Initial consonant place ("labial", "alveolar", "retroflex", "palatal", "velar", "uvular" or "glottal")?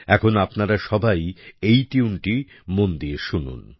velar